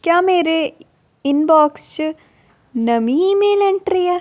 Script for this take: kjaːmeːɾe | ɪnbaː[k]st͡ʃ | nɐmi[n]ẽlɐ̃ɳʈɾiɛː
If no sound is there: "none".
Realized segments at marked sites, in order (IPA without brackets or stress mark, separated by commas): k, m